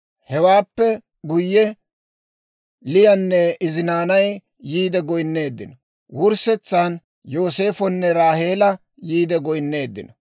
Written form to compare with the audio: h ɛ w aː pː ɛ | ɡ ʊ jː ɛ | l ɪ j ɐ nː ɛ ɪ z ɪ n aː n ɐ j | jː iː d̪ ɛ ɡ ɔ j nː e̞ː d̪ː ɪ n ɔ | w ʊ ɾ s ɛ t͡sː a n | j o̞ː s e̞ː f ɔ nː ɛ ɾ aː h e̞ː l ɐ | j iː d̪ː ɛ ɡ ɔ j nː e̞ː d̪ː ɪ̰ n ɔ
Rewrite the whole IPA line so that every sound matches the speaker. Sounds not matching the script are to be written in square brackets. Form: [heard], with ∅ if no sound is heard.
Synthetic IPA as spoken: h ɛ w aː pː ɛ | ɡ ʊ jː ɛ | l ɪ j ɐ nː ɛ ɪ z ɪ n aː n ɐ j | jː iː d̪ ɛ ɡ ɔ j nː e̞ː d̪ː ɪ n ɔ | w ʊ ɾ s ɛ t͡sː a n | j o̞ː s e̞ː f ɔ nː ɛ ɾ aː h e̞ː l ɐ | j iː [d̪] ɛ ɡ ɔ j nː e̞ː d̪ː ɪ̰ n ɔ